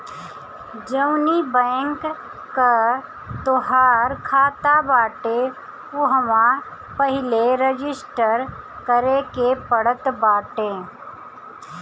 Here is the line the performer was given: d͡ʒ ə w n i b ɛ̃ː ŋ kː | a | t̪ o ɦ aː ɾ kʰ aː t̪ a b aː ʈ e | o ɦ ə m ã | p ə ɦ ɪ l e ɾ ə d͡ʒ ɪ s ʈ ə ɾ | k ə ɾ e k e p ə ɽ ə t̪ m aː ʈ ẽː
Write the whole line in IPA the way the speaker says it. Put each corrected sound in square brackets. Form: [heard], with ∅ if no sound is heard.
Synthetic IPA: d͡ʒ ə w n i b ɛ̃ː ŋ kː | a | t̪ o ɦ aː ɾ kʰ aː t̪ a b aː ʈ e | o ɦ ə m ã | p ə ɦ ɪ l e ɾ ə d͡ʒ ɪ s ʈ ə ɾ | k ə ɾ e k e p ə ɽ ə t̪ [b] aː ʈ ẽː